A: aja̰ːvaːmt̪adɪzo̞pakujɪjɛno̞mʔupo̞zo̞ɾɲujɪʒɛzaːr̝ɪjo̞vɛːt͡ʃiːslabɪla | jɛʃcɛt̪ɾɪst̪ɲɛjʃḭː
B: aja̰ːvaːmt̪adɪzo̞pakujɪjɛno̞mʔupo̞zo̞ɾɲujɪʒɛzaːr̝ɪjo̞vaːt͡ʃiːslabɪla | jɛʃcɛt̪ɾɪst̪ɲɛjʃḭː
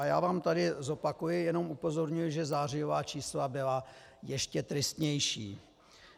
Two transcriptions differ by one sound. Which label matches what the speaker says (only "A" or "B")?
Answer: B